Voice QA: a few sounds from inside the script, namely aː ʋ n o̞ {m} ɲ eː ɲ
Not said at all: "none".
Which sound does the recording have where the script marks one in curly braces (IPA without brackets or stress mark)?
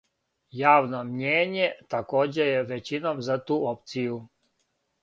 m